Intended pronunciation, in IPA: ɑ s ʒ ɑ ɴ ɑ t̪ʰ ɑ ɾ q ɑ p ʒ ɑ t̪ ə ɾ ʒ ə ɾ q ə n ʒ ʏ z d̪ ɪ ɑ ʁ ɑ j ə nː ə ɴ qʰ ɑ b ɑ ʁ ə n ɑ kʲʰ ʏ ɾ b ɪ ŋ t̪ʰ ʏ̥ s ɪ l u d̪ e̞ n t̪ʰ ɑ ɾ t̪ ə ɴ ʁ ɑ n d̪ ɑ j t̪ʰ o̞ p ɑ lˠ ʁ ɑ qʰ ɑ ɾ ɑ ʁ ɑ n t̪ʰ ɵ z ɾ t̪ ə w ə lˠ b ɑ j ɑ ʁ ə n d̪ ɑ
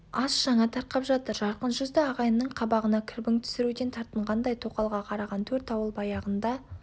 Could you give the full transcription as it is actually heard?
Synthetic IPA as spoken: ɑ s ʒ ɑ ɴ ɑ t̪ʰ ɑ ɾ q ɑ p ʒ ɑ t̪ ə ɾ ʒ ɑ ɾ q ə n ʒ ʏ z d̪ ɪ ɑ ʁ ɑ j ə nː ə ɴ qʰ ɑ b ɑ ʁ ə n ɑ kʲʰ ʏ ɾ b ɪ ŋ t̪ʰ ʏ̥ s ɪ ɾ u d̪ e̞ n t̪ʰ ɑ ɾ t̪ ə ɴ ʁ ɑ n d̪ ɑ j t̪ʰ o̞ q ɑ lˠ ʁ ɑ qʰ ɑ ɾ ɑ ʁ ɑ n t̪ʰ ɵ ɾ t̪ ɑ w ə lˠ b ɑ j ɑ ʁ ə n d̪ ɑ

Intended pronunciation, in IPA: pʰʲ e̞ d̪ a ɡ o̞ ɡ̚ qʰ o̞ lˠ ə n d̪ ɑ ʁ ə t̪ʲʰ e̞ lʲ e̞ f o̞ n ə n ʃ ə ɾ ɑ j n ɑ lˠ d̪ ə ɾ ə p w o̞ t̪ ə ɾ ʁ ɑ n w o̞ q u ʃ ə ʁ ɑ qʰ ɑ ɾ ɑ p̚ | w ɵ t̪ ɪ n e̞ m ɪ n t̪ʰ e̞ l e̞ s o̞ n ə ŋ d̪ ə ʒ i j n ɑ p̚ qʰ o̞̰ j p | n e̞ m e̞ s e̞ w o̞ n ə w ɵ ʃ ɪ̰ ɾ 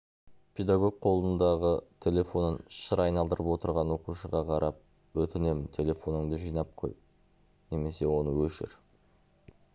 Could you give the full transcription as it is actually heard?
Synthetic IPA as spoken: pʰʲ e̞ d̪ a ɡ o̞ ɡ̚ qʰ o̞ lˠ ə n d̪ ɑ ʁ ə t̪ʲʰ e̞ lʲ e̞ f o̞ n ə n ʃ ə ɾ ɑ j n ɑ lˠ d̪ ə ɾ ə p w o̞ t̪ ə ɾ ʁ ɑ n w o̞ q u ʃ ə ʁ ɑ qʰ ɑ ɾ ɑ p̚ | w ɵ t̪ ɪ n e̞ m ɪ n t̪ʰ e̞ l e̞ f o̞ n ə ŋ d̪ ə ʒ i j n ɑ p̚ qʰ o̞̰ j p | n e̞ m e̞ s e̞ w o̞ n ə w ɵ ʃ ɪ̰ ɾ

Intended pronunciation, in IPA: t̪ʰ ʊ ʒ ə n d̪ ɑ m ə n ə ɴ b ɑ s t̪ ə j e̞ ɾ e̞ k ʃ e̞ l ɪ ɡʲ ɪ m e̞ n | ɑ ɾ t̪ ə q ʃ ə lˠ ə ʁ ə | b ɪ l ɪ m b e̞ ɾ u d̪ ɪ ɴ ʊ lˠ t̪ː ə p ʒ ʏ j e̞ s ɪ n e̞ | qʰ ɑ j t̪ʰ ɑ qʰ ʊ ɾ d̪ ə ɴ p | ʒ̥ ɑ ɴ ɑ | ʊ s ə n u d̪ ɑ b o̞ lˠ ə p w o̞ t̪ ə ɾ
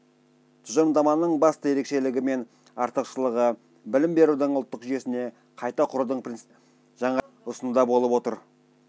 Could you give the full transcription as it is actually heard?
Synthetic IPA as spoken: t̪ʰ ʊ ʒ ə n d̪ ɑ m ɑ n ə ɴ b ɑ s t̪ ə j e̞ ɾ e̞ k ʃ e̞ l ɪ ɡʲ ɪ m e̞ n | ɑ ɾ t̪ ə q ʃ ə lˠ ə ʁ ə | b ɪ l ɪ m b e̞ ɾ u d̪ ɪ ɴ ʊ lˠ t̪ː ə q ʒ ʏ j e̞ s ɪ n e̞ | qʰ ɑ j t̪ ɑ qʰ ʊ ɾ d̪ ə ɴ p | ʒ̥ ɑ ɴ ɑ | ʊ s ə n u d̪ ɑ b o̞ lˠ ə p w o̞ t̪ ə ɾ

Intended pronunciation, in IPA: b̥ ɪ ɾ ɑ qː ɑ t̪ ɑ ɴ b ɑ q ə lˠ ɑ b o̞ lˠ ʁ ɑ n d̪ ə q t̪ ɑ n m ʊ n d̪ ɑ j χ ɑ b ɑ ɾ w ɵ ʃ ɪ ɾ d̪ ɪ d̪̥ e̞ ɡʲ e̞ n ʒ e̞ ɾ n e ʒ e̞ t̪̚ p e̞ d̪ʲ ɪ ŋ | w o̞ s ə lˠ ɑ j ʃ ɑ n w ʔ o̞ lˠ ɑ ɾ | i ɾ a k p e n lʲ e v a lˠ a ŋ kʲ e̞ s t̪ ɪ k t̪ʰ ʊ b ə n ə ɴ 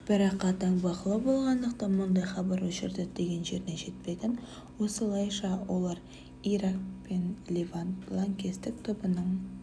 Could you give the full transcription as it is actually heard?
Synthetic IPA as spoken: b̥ ɪ ɾ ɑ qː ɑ t̪ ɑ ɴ b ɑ q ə lˠ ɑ b o̞ lˠ ʁ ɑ n d̪ ə q t̪ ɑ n m ʊ n d̪ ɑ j χ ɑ b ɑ ɾ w ɵ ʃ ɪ ɾ d̪ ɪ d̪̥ e̞ ɡʲ e̞ n ʒ e̞ ɾ n e ʒ e̞ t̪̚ p e̞ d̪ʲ ɪ n | w o̞ s ə lˠ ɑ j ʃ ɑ w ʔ o̞ lˠ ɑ ɾ | i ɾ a k p e n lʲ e v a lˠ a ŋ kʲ e̞ s t̪ ɪ k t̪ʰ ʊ b ə n ə ɴ

